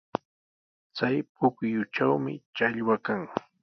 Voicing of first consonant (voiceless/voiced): voiceless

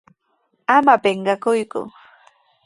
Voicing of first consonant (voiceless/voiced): voiced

